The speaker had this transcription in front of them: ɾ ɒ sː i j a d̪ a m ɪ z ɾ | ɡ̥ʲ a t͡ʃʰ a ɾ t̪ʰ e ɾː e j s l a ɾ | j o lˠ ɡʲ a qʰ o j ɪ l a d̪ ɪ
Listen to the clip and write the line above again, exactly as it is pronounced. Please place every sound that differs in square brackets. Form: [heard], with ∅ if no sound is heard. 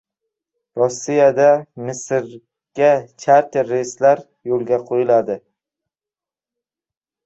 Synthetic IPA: ɾ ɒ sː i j a d̪ a m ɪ [s] ɾ | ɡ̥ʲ a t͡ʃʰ a ɾ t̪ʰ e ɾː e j s l a ɾ | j o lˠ ɡʲ a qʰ o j ɪ l a d̪ ɪ